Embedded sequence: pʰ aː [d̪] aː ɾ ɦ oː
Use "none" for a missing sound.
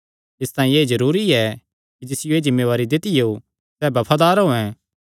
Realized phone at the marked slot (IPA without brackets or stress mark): d̪